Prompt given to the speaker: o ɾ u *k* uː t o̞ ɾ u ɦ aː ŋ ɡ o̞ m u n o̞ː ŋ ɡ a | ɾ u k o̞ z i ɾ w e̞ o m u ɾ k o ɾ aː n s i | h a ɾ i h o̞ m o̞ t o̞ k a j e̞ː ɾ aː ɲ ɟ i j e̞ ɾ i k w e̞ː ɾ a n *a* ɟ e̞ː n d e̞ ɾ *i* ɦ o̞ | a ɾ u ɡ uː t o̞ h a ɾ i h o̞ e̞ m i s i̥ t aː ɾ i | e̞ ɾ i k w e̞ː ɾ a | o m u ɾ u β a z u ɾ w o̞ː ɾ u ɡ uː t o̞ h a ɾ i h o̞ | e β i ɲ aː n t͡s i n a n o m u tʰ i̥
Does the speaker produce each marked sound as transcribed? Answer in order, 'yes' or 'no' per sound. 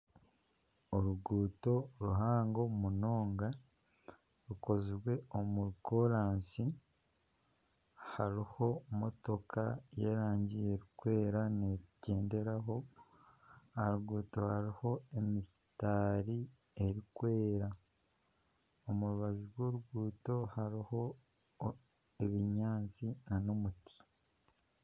no, no, no

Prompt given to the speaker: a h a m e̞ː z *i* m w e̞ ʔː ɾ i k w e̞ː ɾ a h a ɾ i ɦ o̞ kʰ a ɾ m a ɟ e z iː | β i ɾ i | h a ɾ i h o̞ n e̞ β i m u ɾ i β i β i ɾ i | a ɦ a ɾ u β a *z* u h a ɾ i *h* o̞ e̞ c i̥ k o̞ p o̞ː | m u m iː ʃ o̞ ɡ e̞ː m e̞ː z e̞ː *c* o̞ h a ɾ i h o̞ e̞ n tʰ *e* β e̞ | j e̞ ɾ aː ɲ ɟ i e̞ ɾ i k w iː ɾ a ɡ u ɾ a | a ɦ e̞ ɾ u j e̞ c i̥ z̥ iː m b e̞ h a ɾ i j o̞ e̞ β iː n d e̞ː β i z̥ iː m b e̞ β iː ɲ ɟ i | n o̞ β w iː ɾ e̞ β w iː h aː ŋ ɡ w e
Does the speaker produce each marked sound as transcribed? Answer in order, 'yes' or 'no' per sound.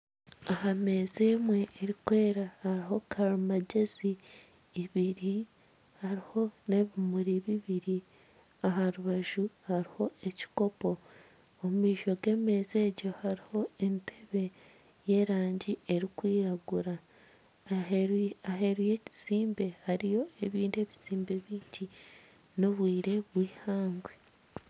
no, no, yes, no, yes

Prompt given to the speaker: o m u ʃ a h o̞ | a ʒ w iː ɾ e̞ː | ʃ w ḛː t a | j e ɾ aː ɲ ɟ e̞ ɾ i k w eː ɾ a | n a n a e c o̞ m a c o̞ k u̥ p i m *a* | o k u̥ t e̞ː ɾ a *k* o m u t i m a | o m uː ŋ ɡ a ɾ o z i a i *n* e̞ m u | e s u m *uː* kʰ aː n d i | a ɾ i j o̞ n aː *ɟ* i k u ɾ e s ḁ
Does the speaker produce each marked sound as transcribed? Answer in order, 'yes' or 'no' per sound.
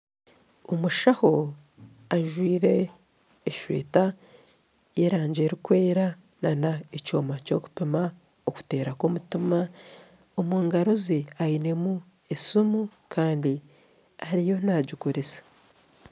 yes, yes, yes, no, yes

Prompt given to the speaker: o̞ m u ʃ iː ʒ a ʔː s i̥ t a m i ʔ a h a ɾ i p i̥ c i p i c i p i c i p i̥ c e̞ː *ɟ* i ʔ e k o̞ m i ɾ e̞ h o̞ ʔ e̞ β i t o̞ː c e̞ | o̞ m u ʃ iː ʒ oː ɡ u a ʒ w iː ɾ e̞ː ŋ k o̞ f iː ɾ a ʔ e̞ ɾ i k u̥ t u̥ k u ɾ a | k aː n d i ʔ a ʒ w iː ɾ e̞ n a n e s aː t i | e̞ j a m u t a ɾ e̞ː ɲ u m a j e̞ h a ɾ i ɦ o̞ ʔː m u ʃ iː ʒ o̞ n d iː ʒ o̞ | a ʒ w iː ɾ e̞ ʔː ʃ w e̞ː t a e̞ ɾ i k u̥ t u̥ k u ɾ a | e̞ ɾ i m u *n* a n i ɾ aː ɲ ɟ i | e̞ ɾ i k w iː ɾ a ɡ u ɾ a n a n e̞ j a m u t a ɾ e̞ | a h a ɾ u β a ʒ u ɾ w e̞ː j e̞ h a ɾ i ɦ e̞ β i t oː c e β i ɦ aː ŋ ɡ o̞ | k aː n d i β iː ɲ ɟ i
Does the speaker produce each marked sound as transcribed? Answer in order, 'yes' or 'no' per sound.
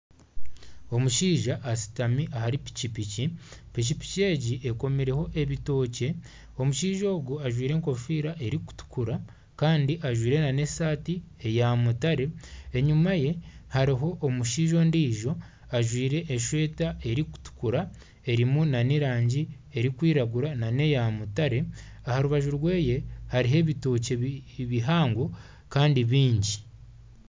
yes, yes

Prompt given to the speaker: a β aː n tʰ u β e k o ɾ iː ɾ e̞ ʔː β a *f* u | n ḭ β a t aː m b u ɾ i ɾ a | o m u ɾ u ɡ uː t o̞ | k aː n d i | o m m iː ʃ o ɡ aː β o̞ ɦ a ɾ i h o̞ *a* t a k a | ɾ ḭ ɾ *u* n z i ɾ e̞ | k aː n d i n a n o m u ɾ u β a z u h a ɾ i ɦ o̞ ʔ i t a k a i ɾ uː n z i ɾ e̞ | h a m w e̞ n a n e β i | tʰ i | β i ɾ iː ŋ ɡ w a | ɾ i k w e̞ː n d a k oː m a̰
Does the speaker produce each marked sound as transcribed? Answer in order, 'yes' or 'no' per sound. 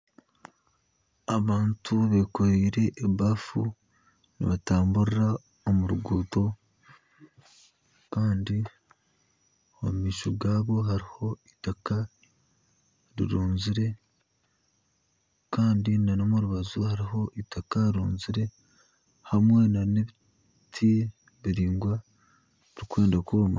yes, no, no

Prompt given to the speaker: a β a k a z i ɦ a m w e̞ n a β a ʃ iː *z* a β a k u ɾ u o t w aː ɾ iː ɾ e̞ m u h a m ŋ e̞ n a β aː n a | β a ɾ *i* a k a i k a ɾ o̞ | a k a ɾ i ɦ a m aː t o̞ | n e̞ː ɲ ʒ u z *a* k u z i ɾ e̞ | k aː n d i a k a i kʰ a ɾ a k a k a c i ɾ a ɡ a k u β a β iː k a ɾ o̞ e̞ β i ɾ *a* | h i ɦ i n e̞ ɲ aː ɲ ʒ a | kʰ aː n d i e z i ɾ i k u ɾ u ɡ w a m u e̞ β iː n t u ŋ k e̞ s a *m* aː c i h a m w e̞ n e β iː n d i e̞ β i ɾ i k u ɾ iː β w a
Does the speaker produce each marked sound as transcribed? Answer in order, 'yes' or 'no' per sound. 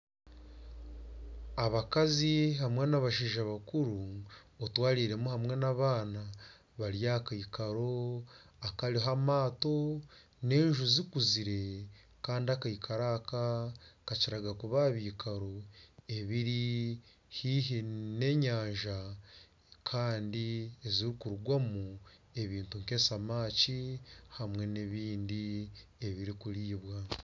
no, no, no, no, yes

